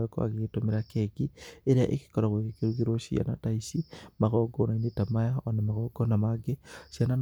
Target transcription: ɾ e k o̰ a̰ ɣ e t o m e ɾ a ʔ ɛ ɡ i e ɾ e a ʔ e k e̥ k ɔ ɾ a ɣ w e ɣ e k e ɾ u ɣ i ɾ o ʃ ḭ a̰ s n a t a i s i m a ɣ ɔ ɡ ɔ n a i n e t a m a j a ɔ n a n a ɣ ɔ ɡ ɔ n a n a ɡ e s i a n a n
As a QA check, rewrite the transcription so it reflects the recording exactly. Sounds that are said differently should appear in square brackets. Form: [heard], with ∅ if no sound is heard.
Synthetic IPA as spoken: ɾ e k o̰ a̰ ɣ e t o m e ɾ a [k] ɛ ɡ i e ɾ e a ʔ e k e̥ k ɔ ɾ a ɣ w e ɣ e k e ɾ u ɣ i ɾ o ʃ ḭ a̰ [∅] n a t a i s i m a ɣ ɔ ɡ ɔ n a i n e t a m a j a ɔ n a [m] a ɣ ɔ ɡ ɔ n a [m] a ɡ e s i a n a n